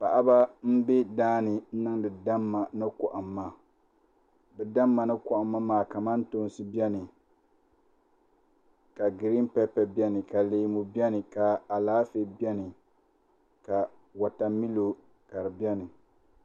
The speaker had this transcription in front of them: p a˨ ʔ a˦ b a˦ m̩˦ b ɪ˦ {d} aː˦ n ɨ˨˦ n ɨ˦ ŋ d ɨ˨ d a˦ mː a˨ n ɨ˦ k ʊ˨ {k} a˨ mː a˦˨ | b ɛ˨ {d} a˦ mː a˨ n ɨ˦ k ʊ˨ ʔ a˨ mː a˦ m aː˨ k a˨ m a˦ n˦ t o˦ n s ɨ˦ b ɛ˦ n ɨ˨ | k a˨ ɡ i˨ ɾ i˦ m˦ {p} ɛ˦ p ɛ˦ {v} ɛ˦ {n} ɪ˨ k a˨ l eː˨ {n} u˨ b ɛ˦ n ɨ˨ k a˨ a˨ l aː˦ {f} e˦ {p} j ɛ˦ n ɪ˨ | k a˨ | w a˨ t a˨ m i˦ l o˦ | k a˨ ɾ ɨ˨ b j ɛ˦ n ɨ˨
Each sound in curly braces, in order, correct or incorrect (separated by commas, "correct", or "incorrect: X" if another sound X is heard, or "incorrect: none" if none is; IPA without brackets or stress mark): correct, incorrect: ʔ, correct, correct, incorrect: b, correct, incorrect: m, correct, incorrect: b